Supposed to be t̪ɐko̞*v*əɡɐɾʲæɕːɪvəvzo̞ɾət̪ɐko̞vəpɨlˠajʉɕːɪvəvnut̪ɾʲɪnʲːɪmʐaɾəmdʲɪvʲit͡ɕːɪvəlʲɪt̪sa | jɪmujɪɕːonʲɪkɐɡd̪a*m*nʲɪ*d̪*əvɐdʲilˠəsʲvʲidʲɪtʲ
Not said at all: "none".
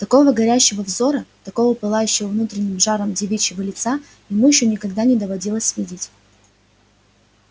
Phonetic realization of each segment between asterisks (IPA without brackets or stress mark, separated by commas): v, none, d̪